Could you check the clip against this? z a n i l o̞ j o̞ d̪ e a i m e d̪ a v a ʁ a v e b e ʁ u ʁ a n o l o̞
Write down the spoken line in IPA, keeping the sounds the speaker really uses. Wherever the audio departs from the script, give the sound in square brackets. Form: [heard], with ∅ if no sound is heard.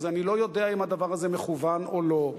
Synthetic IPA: z a n i l o̞ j o̞ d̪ e a i m [a] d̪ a v a ʁ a [z] e [m] e [χ] u [v] a n o l o̞